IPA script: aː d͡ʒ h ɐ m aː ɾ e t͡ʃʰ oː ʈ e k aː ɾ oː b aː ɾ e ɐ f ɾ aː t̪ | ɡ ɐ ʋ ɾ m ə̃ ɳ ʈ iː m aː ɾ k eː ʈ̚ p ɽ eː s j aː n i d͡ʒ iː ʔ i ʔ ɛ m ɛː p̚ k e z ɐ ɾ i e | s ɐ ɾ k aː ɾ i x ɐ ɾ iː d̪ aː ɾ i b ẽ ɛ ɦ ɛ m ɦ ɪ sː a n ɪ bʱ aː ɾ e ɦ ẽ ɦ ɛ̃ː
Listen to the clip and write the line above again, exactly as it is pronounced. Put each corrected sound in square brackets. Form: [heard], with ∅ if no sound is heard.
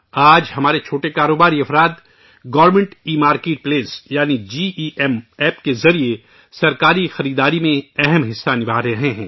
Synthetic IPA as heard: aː d͡ʒ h ɐ m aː ɾ e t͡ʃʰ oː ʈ e k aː ɾ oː b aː ɾ [i] ɐ f ɾ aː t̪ | ɡ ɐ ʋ ɾ m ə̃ ɳ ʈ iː m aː ɾ k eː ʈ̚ p [l] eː s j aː n i d͡ʒ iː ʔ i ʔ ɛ m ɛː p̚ k e z ɐ ɾ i e | s ɐ ɾ k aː ɾ i x ɐ ɾ iː d̪ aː ɾ i [m] ẽ ɛ ɦ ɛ m ɦ ɪ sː a n ɪ bʱ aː ɾ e ɦ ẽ ɦ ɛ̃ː